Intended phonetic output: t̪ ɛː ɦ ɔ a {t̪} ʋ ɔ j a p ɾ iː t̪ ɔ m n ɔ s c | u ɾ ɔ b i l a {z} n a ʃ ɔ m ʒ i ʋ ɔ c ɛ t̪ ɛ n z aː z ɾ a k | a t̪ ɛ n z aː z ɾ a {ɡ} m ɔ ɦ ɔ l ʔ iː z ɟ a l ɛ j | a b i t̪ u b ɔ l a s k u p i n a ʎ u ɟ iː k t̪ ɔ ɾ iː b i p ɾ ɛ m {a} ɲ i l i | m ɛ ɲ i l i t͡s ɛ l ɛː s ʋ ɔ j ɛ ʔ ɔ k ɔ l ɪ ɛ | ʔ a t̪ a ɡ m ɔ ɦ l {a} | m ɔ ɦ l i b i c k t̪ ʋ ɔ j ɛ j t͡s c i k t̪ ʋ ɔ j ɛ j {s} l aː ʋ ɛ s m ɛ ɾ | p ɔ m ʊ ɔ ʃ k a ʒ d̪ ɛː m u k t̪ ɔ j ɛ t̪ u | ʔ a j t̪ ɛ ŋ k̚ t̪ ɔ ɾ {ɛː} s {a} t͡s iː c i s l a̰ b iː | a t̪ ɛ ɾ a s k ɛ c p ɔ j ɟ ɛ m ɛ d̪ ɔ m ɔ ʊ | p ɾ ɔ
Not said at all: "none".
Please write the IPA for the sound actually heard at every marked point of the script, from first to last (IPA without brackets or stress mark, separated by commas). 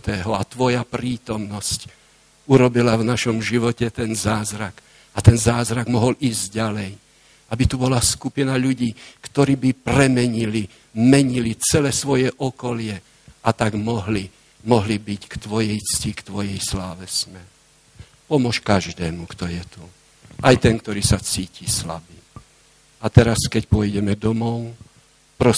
t̪, v, ɡ, ɛ, i, s, iː, a